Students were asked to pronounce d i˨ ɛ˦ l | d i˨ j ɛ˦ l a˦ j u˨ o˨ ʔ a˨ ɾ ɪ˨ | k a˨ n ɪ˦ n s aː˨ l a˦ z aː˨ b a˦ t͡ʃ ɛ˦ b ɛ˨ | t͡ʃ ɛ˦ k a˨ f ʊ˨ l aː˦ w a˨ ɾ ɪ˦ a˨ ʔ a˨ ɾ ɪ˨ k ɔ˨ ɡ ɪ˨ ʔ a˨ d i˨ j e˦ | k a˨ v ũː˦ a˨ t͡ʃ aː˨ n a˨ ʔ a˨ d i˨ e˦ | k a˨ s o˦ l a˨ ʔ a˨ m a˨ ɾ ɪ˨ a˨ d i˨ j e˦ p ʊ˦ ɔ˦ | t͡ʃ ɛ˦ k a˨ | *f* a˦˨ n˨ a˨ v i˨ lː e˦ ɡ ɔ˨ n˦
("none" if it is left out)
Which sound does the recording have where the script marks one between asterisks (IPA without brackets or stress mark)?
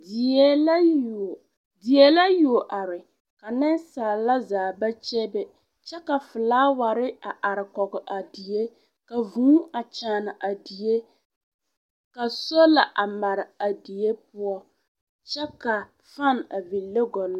f